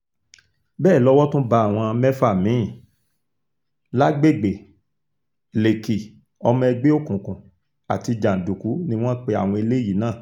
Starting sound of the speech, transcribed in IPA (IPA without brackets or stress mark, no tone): b